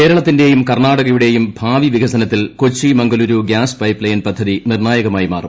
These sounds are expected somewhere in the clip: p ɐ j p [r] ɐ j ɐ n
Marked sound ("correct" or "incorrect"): incorrect